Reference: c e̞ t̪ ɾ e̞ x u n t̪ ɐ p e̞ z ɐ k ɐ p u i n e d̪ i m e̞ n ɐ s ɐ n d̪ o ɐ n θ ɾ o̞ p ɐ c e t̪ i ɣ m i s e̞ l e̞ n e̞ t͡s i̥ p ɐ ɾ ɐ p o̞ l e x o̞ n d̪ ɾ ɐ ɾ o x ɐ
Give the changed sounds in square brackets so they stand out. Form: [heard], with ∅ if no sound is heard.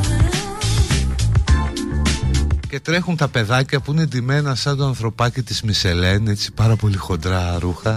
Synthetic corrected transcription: c e̞ t̪ ɾ e̞ x u n t̪ ɐ p e̞ [ð] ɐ [c] ɐ p u i n e d̪ i m e̞ n ɐ s ɐ n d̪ o ɐ n θ ɾ o̞ p ɐ c [i] t̪ i [z] m i s e̞ l e̞ n e̞ t͡s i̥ p ɐ ɾ ɐ p o̞ l [i] x o̞ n d̪ ɾ ɐ ɾ [u] x ɐ